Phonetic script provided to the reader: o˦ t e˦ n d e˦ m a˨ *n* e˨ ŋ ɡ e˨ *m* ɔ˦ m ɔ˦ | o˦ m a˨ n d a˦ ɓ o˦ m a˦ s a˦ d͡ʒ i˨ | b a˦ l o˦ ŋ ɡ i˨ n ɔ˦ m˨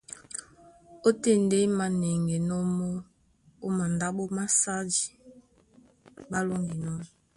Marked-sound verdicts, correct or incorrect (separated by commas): correct, incorrect